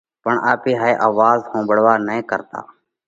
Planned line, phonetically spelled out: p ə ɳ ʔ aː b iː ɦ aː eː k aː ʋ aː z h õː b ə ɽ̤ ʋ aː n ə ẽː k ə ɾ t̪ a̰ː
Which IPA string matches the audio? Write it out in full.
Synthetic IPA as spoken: p ə ɳ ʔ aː p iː ɦ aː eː ʔ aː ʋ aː z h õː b ə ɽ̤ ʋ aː n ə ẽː k ə ɾ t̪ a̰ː